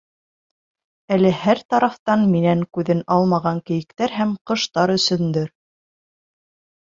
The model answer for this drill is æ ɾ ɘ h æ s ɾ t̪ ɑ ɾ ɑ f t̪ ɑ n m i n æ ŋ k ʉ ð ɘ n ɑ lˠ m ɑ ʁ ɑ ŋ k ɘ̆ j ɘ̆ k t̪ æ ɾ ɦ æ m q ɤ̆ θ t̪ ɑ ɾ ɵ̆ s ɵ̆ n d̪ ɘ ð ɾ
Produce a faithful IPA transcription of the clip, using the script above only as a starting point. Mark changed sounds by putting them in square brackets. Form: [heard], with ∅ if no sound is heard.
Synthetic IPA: æ [l] ɘ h æ [∅] ɾ t̪ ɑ ɾ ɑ f t̪ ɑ n m i n æ ŋ k ʉ ð ɘ n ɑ lˠ m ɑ ʁ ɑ ŋ k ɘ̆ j ɘ̆ k t̪ æ ɾ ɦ æ m q ɤ̆ [ʃ] t̪ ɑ ɾ ɵ̆ s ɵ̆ n d̪ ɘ [∅] ɾ